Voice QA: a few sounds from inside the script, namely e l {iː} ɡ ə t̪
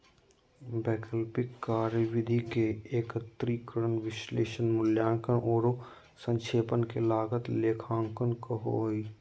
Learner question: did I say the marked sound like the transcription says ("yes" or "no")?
no